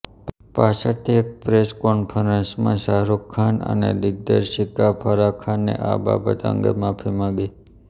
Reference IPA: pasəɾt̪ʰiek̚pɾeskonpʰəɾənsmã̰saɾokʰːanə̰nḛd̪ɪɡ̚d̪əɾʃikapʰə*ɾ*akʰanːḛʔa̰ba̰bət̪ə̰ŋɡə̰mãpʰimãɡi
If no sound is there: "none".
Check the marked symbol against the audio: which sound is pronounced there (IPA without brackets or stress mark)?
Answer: ɾ